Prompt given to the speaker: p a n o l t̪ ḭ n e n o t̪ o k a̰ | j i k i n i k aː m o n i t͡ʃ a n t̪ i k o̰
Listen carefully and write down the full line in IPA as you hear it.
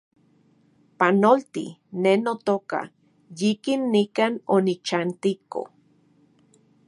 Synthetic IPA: p a n o l t̪ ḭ n e n o t̪ o k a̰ | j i k i nː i k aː n o n i t͡ʃ a n t̪ i k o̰